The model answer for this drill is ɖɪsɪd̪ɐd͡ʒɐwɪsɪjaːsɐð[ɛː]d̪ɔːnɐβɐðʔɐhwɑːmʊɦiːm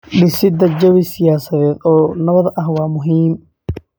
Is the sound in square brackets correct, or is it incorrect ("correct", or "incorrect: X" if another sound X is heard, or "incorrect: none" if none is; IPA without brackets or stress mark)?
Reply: correct